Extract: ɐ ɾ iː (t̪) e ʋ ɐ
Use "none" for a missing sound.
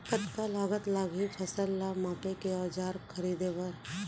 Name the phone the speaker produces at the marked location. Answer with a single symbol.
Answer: d̪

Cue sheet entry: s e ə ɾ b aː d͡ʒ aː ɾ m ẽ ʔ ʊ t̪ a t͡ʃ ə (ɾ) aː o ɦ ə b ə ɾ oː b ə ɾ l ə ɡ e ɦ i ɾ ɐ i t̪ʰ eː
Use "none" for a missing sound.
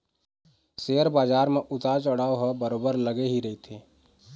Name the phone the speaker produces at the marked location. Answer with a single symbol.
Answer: ɽ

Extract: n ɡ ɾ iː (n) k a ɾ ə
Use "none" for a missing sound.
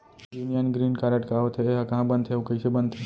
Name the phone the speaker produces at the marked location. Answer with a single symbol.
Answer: n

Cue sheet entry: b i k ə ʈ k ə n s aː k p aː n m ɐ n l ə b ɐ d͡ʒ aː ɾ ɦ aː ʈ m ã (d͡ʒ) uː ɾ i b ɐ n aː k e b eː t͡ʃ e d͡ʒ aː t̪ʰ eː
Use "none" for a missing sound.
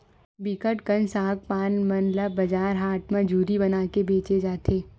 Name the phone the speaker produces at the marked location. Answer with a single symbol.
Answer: d͡ʒ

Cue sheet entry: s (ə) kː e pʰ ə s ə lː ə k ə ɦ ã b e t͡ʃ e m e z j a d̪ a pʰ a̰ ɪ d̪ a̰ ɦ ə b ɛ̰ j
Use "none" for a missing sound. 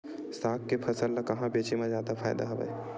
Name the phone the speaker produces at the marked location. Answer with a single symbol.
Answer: a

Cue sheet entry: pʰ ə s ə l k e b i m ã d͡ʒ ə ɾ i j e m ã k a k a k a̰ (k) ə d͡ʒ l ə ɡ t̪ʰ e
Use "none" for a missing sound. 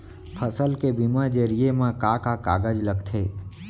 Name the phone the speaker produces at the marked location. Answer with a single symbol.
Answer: ɡ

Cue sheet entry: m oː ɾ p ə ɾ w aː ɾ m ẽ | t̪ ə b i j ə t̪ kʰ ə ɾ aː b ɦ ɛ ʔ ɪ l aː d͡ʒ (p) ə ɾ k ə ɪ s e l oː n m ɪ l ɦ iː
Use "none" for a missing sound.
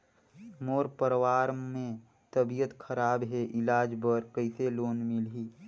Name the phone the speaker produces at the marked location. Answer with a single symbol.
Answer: b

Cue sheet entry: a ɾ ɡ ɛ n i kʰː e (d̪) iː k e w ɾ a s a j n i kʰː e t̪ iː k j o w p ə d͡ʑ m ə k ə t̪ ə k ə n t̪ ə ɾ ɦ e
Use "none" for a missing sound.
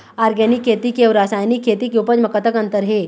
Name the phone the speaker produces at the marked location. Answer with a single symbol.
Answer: t̪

